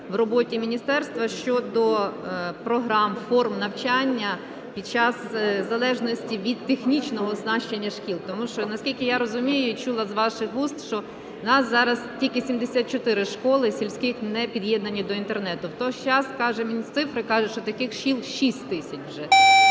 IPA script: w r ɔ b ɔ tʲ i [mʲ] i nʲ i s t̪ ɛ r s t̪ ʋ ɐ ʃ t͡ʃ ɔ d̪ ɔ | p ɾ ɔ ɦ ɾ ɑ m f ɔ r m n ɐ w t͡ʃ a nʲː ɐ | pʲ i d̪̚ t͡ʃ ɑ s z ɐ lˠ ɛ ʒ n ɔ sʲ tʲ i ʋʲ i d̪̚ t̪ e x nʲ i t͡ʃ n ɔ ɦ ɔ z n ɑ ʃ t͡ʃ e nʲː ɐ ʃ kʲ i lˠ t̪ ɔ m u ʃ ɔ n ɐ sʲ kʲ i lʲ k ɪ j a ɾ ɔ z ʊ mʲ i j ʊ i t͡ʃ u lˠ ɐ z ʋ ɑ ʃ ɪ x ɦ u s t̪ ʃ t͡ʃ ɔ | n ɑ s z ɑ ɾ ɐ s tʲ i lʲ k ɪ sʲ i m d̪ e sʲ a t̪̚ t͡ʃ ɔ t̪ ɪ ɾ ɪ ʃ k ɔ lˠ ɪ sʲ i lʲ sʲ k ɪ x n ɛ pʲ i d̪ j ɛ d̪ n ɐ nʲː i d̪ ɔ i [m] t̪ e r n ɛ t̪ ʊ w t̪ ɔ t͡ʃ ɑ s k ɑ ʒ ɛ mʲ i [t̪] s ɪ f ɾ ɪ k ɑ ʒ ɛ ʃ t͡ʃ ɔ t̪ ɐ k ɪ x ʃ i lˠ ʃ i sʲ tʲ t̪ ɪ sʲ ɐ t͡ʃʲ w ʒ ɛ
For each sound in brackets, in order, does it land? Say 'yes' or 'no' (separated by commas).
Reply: yes, no, yes